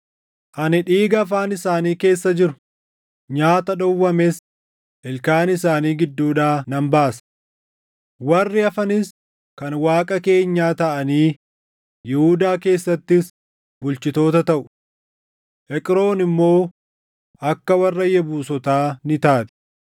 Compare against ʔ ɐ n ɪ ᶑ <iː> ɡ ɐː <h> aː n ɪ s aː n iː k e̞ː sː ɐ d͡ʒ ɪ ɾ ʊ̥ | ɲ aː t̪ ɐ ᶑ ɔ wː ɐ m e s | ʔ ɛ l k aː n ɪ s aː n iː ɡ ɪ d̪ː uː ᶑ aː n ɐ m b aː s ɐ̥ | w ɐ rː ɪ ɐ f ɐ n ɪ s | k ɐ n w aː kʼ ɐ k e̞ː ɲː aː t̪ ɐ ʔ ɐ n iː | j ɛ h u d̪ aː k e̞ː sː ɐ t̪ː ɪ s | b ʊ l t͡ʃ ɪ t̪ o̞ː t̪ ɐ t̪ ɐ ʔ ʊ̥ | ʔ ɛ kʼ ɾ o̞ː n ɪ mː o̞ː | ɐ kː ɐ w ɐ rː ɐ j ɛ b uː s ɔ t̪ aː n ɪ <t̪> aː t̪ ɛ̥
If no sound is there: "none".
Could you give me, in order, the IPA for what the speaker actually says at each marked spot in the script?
iː, f, t̪

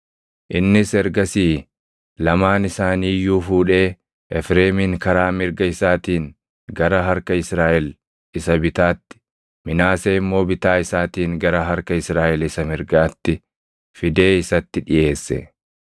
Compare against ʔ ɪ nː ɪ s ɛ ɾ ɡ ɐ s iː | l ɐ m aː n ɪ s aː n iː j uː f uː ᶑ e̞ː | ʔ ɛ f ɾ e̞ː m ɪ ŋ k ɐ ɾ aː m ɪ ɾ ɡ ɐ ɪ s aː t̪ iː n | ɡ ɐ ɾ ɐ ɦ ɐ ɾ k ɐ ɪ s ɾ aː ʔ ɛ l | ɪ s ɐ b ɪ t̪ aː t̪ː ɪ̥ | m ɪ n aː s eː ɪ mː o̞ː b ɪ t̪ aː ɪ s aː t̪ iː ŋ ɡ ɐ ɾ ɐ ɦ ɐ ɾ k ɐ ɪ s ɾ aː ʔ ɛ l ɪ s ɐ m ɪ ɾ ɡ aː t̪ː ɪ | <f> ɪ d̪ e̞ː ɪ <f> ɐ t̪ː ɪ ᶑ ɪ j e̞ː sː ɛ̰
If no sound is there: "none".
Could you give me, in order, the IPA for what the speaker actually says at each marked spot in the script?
f, s

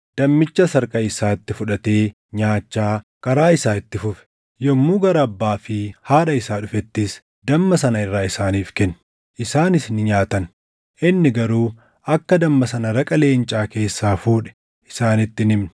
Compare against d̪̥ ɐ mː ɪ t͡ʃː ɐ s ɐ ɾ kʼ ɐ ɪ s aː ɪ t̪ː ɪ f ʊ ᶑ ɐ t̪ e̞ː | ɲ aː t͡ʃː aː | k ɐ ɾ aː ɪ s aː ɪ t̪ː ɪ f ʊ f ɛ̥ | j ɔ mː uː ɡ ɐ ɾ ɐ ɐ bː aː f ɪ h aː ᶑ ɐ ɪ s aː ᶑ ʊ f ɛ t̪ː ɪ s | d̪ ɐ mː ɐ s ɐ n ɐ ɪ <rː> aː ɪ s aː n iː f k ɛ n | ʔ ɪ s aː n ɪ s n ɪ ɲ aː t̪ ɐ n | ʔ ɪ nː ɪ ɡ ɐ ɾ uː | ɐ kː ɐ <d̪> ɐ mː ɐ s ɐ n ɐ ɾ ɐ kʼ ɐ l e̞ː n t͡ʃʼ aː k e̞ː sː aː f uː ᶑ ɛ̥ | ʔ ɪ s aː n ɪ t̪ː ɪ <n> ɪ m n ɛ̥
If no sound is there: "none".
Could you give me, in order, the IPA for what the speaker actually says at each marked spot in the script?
rː, d̪, n

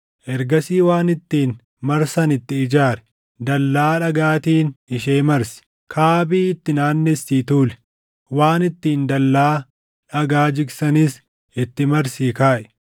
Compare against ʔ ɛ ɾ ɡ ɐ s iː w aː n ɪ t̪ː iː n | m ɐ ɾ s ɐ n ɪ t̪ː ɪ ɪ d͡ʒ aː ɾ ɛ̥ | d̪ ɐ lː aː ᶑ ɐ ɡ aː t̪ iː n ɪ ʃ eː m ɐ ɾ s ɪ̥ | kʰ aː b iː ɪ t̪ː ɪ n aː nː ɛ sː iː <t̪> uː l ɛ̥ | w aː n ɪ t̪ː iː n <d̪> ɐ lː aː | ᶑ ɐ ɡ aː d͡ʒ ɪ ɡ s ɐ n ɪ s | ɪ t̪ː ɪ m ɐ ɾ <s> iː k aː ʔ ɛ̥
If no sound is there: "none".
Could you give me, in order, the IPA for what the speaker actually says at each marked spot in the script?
t̪, d̪, s

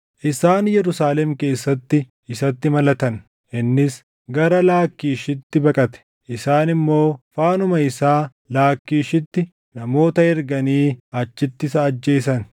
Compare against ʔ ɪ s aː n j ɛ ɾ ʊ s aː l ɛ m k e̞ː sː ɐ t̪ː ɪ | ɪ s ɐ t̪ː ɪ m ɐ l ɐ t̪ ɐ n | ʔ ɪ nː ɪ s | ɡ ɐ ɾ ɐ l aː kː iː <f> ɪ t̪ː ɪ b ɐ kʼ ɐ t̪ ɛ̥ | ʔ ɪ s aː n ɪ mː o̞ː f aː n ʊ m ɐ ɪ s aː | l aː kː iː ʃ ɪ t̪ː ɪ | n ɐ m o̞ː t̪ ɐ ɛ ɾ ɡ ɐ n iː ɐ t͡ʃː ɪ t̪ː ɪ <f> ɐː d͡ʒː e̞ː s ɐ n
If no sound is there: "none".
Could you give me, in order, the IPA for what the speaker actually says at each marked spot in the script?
ʃ, s

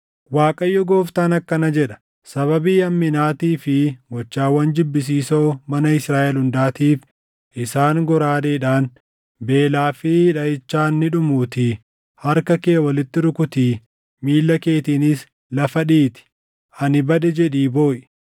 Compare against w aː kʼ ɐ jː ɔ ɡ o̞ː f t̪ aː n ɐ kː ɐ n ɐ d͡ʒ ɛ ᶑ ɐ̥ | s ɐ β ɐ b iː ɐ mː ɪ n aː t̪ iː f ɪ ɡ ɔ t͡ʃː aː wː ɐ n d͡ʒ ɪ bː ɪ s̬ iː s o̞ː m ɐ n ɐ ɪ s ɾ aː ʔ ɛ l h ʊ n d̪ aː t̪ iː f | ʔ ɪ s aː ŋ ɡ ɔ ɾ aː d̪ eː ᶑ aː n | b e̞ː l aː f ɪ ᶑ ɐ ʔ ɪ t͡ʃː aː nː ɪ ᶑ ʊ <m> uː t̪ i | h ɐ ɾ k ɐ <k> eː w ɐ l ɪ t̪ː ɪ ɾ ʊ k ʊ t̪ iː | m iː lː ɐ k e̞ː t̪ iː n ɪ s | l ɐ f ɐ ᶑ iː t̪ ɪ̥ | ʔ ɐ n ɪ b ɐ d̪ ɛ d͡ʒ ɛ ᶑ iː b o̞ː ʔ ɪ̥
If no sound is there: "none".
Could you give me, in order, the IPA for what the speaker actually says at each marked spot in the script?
m, k

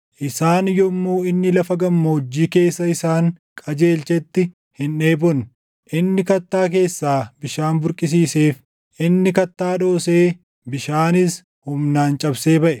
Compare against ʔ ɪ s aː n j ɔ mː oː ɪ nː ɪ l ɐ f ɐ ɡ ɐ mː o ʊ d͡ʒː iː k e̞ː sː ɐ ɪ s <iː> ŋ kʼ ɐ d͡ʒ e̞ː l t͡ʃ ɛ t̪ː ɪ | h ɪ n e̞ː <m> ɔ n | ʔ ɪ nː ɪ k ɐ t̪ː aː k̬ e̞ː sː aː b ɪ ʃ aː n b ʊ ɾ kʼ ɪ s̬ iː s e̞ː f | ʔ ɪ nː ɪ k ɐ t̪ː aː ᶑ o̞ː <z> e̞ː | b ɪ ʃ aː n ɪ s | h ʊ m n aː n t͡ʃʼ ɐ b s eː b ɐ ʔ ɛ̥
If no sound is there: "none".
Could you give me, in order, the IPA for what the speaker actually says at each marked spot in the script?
aː, b, s

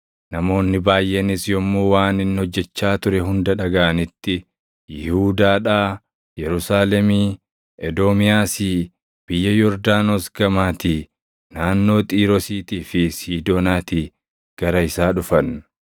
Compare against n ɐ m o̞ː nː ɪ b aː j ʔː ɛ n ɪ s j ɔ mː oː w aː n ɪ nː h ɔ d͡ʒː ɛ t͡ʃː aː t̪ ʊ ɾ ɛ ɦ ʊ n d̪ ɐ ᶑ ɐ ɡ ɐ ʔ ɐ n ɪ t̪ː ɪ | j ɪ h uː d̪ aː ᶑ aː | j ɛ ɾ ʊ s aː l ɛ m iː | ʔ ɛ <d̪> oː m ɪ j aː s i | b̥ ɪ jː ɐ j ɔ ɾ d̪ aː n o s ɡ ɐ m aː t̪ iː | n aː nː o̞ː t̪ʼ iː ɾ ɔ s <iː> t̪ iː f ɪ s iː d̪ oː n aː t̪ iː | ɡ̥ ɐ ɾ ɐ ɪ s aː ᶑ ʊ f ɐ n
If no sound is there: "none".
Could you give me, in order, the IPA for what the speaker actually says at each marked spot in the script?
d̪, iː

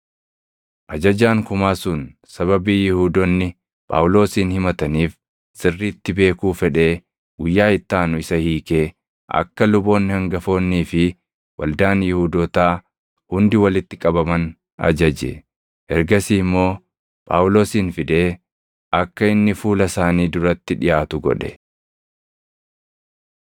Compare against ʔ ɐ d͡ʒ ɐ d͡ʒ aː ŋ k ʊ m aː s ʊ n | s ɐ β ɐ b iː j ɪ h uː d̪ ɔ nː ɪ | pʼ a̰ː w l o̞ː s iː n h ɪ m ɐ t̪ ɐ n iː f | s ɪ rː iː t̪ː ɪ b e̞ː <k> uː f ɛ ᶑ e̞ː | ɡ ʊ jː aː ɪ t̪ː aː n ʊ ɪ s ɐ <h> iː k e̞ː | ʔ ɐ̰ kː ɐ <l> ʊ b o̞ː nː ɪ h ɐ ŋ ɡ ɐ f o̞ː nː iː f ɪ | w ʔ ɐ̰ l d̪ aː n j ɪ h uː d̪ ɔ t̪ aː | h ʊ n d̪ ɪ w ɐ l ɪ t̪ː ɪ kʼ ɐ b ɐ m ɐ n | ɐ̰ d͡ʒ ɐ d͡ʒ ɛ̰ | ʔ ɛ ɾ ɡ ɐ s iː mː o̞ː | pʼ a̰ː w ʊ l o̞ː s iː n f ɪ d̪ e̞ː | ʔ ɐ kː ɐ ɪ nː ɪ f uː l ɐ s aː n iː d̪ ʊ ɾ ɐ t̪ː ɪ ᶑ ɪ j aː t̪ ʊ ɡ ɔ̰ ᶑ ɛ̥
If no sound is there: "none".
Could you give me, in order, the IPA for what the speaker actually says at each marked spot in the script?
k, h, l

